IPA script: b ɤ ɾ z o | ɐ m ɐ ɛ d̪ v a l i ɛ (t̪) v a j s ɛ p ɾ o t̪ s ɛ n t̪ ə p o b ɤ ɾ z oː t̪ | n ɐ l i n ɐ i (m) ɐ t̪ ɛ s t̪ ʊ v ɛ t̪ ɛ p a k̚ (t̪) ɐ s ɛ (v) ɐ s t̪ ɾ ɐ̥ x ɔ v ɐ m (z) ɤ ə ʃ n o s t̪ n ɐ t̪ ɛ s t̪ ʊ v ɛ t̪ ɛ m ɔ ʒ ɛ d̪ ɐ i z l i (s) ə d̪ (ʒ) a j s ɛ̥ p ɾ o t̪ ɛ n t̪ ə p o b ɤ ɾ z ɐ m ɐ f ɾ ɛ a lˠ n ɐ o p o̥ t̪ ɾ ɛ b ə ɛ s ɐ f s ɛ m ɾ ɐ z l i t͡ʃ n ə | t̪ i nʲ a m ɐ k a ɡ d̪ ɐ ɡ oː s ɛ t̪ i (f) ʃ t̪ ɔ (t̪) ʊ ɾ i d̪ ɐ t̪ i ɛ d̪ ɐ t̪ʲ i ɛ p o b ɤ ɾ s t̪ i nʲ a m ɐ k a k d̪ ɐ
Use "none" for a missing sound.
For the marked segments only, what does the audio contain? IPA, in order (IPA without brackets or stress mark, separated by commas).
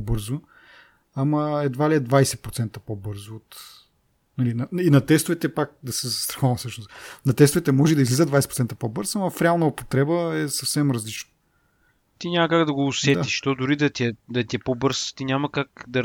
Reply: d̪, n, d̪, z, s, z, v, ʃ, d̪